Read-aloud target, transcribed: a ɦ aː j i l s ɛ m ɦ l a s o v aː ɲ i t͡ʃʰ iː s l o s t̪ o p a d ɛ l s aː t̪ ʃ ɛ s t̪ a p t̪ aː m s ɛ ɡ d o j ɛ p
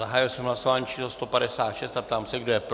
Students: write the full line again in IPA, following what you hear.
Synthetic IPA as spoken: a ɦ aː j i l s ɛ m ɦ l a s o v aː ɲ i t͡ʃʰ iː s l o s t̪ o p a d ɛ s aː t̪ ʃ ɛ s t̪ a p t̪ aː m s ɛ ɡ d o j ɛ p